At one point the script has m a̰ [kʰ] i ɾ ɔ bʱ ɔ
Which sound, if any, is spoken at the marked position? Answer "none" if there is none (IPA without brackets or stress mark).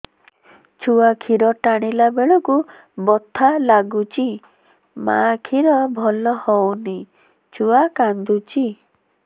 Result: kʰ